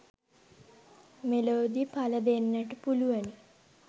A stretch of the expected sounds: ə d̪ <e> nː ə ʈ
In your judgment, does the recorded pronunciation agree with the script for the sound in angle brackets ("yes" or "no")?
yes